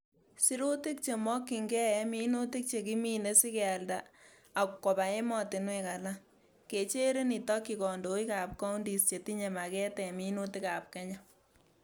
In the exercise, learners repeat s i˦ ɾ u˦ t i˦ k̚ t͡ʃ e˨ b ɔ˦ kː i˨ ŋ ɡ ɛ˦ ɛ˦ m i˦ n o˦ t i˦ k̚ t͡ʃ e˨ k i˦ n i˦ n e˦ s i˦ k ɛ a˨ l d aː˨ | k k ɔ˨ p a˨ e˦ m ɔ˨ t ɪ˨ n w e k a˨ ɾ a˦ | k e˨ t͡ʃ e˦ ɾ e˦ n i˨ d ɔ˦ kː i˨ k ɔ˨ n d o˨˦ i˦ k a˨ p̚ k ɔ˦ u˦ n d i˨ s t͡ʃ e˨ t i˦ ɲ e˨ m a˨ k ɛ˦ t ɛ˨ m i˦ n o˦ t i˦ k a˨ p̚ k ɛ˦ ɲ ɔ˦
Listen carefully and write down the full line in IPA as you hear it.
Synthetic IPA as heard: s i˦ ɾ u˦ t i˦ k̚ t͡ʃ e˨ m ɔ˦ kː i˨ ŋ ɡ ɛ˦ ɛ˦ m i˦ n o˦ t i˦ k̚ t͡ʃ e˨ k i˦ m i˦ n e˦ s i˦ k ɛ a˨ l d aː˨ | k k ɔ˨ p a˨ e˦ m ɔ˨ t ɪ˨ n w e k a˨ l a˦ | k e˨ t͡ʃ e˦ ɾ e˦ n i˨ t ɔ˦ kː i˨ k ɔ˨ n d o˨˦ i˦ k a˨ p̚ k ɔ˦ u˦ n d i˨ s t͡ʃ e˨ t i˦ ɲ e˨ m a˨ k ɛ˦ t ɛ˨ m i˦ n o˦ t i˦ k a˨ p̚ k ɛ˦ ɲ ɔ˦